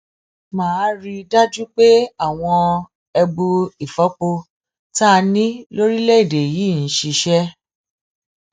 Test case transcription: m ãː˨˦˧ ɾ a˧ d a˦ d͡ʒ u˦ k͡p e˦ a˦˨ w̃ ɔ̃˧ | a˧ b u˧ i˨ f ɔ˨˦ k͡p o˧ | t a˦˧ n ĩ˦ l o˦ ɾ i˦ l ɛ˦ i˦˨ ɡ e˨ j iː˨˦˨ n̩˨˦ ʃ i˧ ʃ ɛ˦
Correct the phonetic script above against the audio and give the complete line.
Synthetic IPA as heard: m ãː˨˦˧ ɾ i˧ d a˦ d͡ʒ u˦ k͡p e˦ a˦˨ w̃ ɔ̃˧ | ɛ˧ b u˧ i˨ f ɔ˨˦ k͡p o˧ | t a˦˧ n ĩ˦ l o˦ ɾ i˦ l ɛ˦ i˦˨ d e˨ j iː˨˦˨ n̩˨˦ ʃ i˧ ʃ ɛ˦